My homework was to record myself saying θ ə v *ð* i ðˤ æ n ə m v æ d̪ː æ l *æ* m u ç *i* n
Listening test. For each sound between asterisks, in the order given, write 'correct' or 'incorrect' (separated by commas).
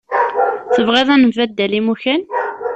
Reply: incorrect, incorrect, incorrect